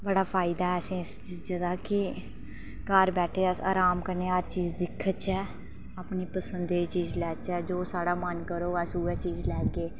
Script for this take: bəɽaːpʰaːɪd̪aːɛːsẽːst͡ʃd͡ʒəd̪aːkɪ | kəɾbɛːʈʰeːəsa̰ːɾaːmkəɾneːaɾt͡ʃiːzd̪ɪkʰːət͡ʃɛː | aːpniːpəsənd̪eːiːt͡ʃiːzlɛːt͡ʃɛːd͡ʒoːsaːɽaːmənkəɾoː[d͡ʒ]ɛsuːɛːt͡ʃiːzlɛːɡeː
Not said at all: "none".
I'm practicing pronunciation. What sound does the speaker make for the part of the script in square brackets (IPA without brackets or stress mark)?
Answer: none